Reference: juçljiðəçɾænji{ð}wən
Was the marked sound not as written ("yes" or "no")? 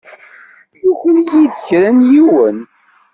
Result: yes